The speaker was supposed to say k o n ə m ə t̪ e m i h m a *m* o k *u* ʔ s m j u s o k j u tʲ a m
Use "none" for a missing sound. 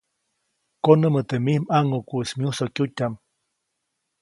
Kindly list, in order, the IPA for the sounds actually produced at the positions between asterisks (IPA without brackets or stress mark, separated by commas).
ŋ, u